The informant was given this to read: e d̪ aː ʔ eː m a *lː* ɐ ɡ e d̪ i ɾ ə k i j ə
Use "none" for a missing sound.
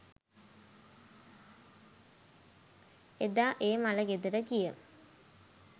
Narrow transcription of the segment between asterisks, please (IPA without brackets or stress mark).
l